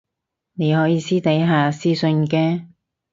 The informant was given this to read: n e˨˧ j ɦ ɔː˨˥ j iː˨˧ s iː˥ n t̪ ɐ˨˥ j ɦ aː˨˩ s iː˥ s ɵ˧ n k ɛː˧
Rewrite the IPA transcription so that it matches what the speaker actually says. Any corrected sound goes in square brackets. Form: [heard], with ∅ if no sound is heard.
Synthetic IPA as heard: n e˨˧ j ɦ ɔː˨˥ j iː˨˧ s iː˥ [∅] t̪ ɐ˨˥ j ɦ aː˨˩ s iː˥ s ɵ˧ n k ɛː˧